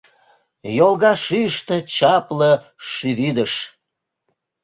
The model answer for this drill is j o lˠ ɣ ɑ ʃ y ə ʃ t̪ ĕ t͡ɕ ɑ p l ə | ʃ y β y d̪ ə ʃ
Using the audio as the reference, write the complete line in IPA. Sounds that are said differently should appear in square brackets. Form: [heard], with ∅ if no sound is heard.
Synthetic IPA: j o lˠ ɣ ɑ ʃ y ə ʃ t̪ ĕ t͡ɕ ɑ p l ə | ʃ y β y d̪ ə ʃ